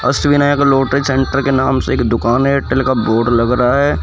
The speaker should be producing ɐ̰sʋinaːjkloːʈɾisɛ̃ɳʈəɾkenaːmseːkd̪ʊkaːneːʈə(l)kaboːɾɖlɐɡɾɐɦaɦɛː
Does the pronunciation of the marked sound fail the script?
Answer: no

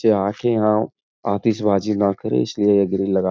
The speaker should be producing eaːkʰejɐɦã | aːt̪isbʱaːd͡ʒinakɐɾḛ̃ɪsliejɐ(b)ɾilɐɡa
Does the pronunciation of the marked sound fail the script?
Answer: yes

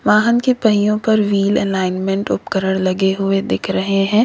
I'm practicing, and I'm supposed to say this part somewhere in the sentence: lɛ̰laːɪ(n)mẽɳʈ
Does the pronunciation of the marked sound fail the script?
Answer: no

